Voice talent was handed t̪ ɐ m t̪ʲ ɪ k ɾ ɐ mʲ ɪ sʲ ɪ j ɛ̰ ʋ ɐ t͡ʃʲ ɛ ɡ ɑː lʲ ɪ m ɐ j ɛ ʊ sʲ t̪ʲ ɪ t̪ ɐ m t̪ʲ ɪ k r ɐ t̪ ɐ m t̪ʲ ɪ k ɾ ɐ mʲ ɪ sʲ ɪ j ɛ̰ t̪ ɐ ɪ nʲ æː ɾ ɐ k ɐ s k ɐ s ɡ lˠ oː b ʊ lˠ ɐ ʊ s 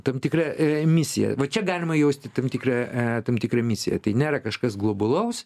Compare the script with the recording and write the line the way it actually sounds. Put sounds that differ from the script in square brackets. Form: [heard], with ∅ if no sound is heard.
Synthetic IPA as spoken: t̪ ɐ m t̪ʲ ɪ k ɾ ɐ mʲ ɪ sʲ ɪ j ɛ̰ ʋ ɐ t͡ʃʲ ɛ ɡ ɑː lʲ ɪ m ɐ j ɛ ʊ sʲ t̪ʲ ɪ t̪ ɐ m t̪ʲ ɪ k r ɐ t̪ ɐ m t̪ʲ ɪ k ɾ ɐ mʲ ɪ sʲ ɪ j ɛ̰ t̪ ɐ ɪ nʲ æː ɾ ɐ k ɐ [ʃ] k ɐ s ɡ lˠ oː b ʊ lˠ ɐ ʊ s